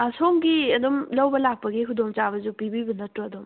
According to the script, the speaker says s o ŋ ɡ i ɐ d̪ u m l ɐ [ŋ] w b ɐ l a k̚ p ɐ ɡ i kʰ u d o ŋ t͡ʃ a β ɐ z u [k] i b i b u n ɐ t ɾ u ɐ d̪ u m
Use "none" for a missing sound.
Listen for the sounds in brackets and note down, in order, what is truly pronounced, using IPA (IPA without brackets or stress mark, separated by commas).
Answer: none, p